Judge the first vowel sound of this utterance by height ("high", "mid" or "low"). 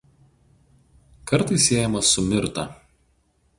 low